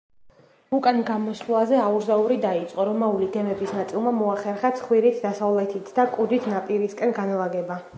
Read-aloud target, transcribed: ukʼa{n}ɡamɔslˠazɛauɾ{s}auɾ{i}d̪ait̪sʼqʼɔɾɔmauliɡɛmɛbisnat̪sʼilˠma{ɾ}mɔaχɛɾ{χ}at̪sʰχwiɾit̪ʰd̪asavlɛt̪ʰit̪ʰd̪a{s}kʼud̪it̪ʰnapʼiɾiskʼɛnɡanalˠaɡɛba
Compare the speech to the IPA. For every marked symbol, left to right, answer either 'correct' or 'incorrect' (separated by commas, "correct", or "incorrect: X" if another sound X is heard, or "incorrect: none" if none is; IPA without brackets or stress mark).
correct, incorrect: z, correct, incorrect: none, correct, incorrect: none